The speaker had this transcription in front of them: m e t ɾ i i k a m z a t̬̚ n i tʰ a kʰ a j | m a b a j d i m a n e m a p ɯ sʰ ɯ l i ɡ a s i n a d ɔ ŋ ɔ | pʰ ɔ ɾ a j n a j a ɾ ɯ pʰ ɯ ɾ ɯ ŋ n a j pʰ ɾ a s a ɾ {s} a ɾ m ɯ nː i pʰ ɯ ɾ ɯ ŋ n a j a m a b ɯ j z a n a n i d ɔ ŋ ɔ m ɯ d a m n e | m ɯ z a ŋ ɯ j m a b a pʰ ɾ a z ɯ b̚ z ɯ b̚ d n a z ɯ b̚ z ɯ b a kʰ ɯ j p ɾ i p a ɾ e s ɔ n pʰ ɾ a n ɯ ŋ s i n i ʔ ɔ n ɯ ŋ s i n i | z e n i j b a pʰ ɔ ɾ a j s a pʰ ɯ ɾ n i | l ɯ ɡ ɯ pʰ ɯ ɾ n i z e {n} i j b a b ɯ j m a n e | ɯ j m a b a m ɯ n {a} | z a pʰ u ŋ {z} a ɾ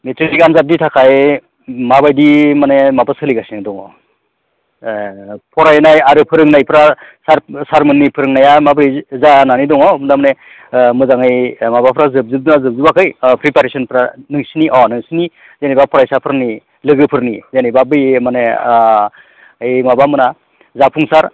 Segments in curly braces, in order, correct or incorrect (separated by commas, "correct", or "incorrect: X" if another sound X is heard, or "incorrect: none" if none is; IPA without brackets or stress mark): correct, correct, correct, incorrect: s